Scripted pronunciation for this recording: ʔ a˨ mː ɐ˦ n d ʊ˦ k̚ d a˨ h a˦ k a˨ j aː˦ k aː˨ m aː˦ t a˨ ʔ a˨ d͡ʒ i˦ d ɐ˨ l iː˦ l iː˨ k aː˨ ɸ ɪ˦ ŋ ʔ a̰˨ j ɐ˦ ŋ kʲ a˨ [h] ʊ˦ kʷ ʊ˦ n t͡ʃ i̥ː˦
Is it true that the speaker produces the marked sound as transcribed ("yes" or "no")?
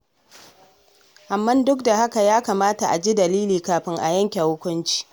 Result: yes